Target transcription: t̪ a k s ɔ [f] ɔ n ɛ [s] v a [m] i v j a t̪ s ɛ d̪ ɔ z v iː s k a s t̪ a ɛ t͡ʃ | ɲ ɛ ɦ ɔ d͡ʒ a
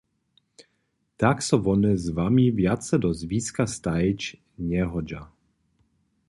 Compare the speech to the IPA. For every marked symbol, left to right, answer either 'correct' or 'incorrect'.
incorrect, incorrect, correct

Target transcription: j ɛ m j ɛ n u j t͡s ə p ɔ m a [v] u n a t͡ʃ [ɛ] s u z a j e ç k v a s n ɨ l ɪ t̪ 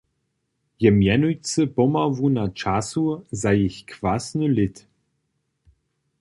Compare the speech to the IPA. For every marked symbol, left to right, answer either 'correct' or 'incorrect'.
correct, incorrect

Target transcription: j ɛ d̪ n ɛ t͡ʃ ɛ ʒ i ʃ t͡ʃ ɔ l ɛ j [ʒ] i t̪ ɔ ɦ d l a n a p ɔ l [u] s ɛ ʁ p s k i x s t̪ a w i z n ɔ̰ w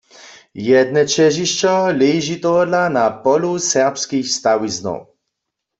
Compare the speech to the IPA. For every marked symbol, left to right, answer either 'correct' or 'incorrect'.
correct, correct

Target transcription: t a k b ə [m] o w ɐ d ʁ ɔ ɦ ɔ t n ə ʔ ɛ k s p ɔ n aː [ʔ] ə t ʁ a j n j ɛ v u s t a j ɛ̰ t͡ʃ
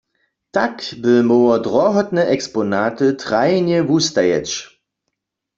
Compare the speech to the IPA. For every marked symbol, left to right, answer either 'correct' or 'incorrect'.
correct, incorrect

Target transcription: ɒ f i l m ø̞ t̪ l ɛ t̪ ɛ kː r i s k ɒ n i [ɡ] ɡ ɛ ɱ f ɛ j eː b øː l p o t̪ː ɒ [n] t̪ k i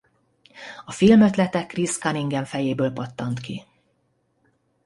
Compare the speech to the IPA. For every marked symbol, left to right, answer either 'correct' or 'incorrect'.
incorrect, correct

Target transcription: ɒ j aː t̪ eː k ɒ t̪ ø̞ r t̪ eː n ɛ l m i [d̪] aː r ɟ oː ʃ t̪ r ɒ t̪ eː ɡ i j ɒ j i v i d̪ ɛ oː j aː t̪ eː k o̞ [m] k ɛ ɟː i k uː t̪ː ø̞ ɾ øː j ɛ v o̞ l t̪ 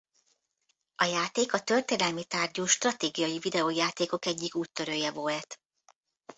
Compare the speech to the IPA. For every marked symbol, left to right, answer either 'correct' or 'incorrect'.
incorrect, incorrect

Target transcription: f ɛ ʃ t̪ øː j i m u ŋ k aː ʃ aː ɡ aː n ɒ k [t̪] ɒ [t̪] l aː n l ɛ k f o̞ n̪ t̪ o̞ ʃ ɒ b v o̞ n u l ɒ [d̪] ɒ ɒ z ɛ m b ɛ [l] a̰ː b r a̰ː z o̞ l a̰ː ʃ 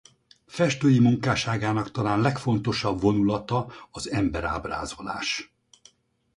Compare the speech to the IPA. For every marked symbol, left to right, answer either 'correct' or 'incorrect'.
correct, incorrect, incorrect, incorrect

